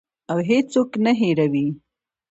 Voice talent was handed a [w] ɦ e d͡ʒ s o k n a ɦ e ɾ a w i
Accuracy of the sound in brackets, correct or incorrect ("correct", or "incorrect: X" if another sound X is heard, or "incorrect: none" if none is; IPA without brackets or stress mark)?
correct